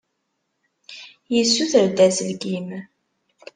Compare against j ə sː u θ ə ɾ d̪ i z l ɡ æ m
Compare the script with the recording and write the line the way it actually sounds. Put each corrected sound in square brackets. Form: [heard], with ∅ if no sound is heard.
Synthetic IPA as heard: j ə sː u θ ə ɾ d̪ [æ] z l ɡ [i] m